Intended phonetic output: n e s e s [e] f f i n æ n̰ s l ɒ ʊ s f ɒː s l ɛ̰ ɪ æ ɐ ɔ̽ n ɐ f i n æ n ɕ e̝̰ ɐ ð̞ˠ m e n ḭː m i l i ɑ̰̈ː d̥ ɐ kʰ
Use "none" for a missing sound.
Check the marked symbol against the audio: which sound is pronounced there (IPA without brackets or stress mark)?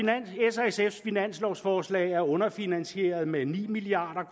e